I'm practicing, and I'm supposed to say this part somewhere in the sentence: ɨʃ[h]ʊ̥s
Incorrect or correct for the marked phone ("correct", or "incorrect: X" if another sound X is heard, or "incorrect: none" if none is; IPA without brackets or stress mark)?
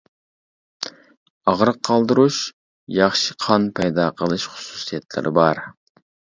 incorrect: χ